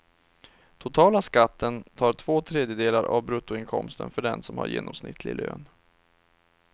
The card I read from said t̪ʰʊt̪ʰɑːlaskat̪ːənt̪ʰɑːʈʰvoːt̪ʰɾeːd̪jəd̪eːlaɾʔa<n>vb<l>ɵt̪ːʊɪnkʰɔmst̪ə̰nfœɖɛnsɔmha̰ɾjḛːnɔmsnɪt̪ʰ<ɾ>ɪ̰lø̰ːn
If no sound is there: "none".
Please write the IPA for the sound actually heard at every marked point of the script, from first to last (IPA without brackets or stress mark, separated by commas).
none, ɾ, l